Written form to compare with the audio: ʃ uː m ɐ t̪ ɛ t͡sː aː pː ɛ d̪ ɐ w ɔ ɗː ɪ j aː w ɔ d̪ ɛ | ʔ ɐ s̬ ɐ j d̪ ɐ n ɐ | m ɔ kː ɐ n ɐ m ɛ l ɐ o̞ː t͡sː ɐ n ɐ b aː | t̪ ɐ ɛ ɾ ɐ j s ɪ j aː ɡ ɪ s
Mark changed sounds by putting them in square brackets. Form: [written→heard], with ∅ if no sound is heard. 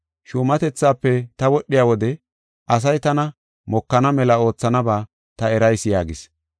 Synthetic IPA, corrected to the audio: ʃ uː m ɐ t̪ ɛ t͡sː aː pː ɛ [d̪→t̪] ɐ w ɔ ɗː ɪ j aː w ɔ d̪ ɛ | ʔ ɐ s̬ ɐ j [d̪→t̪] ɐ n ɐ | m ɔ kː ɐ n ɐ m ɛ l ɐ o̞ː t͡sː ɐ n ɐ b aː | t̪ ɐ ɛ ɾ ɐ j s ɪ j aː ɡ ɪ s